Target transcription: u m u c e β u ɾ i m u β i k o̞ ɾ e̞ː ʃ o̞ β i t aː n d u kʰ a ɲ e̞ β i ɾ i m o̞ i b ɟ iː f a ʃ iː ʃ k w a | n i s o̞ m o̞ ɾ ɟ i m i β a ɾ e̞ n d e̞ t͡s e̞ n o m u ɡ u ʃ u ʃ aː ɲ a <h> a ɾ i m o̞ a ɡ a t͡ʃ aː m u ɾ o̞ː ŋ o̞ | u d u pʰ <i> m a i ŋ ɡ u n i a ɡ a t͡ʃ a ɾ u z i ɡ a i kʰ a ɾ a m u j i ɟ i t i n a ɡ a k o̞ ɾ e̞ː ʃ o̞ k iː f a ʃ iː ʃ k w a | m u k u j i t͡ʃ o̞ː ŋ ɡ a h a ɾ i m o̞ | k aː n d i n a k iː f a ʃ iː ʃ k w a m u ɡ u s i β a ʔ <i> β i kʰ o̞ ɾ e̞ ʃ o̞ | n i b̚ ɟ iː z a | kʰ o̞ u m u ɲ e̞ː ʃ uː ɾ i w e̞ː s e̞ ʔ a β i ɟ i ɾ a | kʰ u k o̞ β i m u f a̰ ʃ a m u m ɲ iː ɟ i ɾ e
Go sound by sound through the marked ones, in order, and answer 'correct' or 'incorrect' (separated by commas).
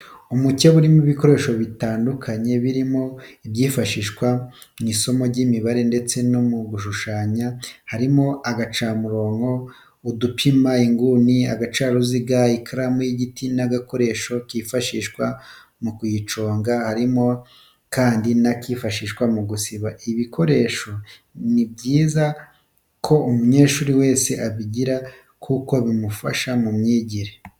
correct, correct, correct